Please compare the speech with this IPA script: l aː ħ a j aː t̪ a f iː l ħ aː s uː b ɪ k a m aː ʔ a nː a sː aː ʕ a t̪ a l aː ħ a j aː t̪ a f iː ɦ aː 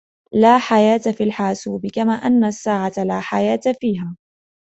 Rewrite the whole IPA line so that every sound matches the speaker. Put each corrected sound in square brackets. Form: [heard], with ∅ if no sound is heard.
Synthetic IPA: l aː ħ a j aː t̪ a f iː l ħ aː s uː b ɪ k a m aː ʔ a nː a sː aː ʕ a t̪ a l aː ħ a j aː t̪ a f iː ɦ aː